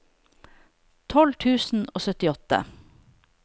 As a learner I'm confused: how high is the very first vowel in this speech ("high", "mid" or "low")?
mid